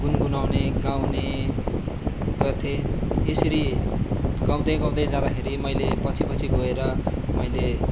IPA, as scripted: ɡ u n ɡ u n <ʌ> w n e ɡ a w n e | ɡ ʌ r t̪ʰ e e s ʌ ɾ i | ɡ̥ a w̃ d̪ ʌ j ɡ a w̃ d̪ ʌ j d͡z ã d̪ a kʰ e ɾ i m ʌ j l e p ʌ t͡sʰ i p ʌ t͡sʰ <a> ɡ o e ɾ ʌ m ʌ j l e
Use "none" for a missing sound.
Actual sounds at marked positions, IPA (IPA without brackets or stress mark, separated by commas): a, i